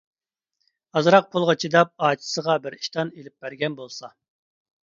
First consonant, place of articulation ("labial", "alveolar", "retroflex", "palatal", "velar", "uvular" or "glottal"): alveolar